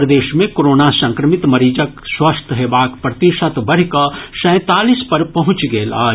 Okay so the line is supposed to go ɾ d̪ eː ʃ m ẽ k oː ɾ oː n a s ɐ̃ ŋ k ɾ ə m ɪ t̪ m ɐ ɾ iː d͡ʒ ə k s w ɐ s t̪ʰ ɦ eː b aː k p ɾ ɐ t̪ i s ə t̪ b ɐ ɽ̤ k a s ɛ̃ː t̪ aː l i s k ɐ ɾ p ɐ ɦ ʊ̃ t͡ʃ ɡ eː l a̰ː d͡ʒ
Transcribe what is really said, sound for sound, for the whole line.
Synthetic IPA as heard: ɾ d̪ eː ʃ m ẽ k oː ɾ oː n a s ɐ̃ ŋ k ɾ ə m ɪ t̪ m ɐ ɾ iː d͡ʒ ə k s w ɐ s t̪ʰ ɦ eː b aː k p ɾ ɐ t̪ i ʃ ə t̪ b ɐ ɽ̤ k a s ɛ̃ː t̪ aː l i s p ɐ ɾ p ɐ ɦ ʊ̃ t͡ʃ ɡ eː l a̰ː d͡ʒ